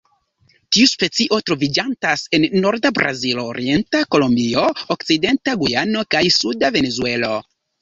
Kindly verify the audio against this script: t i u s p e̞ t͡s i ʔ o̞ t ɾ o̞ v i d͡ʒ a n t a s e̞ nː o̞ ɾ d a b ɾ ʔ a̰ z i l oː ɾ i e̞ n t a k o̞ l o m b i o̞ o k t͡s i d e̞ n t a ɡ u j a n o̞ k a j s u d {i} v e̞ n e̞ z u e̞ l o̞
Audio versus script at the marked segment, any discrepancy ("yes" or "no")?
yes